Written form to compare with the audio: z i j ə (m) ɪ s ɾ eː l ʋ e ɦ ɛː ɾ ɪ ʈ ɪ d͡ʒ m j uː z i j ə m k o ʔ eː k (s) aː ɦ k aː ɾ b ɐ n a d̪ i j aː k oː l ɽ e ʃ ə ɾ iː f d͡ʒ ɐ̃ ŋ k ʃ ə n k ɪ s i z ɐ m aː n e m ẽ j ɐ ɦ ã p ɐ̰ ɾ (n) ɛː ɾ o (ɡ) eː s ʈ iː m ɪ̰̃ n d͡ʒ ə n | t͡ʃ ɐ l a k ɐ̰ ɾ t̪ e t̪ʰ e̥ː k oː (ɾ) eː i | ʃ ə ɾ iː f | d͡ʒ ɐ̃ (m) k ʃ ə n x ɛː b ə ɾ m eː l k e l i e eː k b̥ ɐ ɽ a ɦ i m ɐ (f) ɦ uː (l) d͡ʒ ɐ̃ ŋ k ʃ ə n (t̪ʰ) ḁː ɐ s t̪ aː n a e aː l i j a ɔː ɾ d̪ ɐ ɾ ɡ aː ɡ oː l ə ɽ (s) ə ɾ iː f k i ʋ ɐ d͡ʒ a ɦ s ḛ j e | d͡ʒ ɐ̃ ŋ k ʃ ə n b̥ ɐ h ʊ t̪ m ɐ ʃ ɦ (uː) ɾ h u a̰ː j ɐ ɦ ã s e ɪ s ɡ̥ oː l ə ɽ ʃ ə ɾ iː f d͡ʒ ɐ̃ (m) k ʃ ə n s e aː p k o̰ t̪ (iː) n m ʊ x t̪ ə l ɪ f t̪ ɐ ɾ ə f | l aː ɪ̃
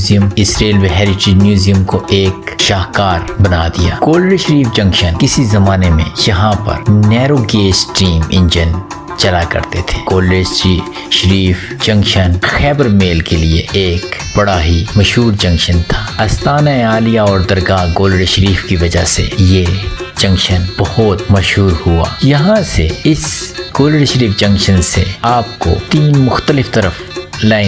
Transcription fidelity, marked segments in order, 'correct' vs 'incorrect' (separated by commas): correct, incorrect, correct, correct, incorrect, incorrect, incorrect, incorrect, correct, incorrect, correct, incorrect, correct